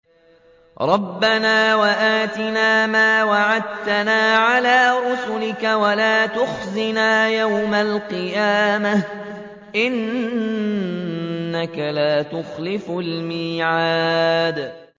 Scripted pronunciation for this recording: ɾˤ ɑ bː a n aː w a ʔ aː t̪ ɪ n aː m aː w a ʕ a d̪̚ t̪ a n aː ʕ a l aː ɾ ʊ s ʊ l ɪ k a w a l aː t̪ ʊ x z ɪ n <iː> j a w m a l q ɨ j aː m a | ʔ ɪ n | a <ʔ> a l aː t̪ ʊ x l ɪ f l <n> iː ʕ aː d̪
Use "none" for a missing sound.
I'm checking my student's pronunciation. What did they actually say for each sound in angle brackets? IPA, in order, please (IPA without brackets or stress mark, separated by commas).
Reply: aː, k, m